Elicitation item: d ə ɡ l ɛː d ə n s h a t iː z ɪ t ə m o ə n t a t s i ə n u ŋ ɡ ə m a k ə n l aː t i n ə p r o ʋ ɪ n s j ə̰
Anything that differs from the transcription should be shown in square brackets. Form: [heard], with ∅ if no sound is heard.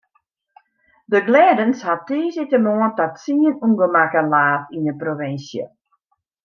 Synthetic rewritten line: d ə ɡ l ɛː d ə n s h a t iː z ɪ t ə m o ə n t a t s i ə n u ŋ ɡ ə m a k ə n l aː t i n ə p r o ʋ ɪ n s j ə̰